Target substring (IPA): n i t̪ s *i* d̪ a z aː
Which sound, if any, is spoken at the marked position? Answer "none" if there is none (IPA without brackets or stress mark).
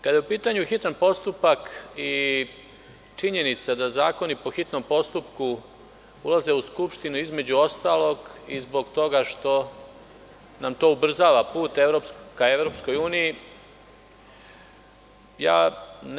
a